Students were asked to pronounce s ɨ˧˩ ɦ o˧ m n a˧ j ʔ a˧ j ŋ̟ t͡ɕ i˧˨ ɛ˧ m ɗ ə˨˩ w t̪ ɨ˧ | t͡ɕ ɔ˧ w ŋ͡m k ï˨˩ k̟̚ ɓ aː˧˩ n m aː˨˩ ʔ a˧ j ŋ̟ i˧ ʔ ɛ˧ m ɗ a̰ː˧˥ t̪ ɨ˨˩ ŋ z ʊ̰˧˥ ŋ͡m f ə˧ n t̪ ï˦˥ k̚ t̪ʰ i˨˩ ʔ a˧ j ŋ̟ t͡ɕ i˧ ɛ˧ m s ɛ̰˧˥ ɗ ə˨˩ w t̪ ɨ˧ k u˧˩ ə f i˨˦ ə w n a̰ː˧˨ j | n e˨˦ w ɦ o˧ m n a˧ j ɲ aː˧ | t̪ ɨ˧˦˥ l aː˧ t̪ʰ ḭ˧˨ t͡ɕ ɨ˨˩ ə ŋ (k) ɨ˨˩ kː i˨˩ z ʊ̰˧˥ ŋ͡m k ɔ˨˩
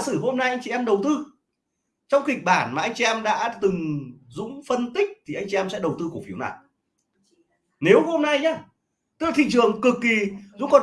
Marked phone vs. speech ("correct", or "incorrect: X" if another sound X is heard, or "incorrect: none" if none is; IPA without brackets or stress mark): correct